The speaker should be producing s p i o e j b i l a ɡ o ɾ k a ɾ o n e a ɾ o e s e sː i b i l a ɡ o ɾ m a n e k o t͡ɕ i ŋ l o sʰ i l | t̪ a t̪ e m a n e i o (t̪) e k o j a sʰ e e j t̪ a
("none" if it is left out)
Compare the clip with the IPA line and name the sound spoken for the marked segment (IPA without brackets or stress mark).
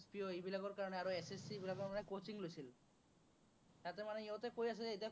t̪